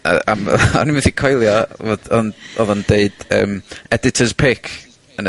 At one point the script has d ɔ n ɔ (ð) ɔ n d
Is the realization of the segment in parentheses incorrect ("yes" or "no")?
no